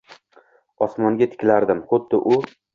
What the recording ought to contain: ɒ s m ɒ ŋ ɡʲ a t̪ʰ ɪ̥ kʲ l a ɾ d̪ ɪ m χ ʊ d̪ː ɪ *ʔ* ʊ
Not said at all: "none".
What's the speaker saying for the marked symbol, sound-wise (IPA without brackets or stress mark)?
ʔ